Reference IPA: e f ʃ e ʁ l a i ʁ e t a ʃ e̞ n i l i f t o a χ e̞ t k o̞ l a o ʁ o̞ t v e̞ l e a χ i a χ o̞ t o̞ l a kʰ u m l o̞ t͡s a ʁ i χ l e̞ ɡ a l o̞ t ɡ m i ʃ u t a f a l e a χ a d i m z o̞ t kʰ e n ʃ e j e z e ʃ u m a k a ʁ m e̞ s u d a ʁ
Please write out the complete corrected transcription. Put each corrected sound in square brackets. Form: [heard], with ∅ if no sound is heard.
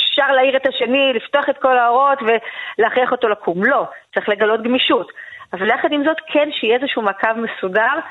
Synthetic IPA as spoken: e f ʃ [a] ʁ l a i ʁ e t a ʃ e̞ n i l i f t o a χ e̞ t k o̞ l a o ʁ o̞ t v e̞ l e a χ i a χ o̞ t o̞ l a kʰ u m l o̞ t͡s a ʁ i χ l e̞ ɡ a l o̞ t ɡ m i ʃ u t a [v] a l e a χ a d i m z o̞ t kʰ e n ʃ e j e z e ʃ u m a k a [v] m e̞ s u d a ʁ